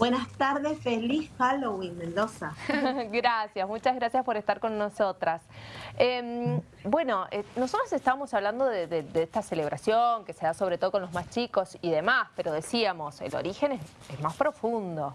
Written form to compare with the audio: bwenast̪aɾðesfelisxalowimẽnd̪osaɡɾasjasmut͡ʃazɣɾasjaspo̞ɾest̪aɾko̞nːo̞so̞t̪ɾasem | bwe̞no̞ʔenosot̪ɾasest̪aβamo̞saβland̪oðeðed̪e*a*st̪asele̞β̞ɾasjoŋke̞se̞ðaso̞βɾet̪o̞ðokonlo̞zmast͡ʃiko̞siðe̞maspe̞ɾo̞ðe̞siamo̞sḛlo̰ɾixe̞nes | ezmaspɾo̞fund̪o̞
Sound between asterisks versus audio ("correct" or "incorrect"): incorrect